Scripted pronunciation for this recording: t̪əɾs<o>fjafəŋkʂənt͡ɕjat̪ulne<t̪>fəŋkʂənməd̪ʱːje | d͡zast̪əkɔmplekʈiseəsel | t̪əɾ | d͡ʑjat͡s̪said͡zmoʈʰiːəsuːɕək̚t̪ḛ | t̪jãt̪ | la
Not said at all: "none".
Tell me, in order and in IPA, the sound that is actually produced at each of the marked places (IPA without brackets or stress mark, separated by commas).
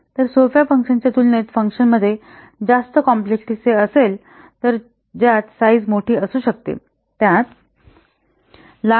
o, t̪